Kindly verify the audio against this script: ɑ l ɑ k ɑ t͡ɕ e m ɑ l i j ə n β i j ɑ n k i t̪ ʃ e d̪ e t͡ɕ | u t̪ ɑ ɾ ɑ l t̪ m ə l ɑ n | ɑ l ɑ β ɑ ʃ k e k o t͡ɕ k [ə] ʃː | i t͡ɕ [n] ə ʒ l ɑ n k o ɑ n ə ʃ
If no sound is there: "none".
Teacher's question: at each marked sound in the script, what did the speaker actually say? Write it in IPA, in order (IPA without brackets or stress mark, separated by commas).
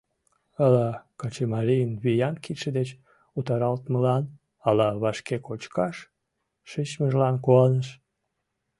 ɑ, m